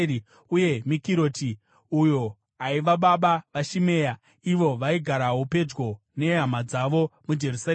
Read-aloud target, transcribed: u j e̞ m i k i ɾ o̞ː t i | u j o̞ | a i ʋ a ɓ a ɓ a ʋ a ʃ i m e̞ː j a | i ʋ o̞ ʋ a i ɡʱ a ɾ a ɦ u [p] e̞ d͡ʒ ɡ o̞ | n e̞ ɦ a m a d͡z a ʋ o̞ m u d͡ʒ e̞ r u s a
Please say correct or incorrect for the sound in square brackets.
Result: correct